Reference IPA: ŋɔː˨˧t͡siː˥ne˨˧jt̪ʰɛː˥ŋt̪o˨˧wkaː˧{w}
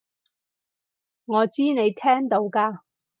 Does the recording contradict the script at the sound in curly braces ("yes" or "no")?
yes